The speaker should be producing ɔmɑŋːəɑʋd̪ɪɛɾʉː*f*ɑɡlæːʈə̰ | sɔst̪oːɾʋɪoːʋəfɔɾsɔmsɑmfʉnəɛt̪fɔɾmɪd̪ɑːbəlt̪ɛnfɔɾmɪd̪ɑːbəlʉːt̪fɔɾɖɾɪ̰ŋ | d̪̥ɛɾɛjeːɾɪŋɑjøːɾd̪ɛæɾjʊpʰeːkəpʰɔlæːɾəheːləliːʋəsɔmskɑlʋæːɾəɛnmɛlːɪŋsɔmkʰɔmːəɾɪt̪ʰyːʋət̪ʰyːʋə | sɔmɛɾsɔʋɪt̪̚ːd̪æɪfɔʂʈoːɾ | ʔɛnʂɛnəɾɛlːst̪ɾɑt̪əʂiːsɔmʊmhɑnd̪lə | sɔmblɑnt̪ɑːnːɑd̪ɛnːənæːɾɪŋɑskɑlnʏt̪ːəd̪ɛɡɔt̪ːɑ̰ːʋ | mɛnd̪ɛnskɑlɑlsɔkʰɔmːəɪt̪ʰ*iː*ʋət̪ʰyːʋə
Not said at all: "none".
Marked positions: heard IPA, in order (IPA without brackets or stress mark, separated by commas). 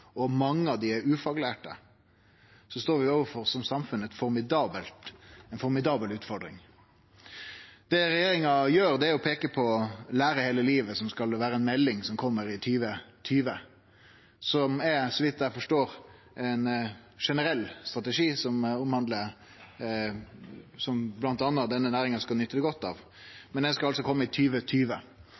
f, yː